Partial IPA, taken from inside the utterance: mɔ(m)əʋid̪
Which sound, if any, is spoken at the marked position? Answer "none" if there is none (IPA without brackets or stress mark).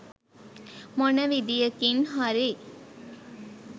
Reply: n